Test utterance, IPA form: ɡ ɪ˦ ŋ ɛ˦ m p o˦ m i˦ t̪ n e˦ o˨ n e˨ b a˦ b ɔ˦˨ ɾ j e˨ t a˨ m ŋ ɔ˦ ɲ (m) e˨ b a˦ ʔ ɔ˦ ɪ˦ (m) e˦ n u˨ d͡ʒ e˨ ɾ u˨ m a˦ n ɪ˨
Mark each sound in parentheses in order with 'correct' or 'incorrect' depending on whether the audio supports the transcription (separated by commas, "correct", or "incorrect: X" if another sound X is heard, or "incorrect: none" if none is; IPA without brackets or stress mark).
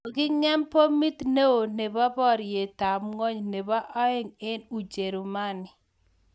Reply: incorrect: n, incorrect: ŋ